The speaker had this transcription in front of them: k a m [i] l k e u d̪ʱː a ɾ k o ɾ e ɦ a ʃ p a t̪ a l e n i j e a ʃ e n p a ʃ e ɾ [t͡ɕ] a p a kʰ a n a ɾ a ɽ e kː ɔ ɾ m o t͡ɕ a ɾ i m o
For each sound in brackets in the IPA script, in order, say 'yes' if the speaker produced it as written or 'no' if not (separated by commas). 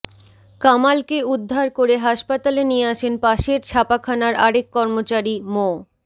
no, no